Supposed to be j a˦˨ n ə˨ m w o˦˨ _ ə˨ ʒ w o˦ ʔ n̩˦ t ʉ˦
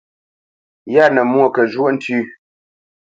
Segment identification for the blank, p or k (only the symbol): k